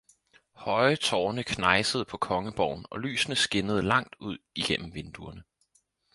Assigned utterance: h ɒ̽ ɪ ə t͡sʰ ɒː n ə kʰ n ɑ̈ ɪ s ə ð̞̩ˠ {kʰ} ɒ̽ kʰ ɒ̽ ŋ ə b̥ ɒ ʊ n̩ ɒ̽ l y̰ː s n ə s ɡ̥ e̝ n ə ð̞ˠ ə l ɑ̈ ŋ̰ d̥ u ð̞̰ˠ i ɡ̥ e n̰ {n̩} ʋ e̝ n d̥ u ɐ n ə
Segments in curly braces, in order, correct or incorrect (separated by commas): incorrect, incorrect